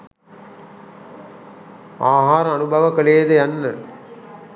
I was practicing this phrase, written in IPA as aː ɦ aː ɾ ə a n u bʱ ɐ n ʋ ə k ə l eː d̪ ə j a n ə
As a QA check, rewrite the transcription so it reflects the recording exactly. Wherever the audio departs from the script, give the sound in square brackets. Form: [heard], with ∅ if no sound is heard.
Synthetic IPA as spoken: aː ɦ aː ɾ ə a n u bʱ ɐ [∅] ʋ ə k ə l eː d̪ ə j a [nː] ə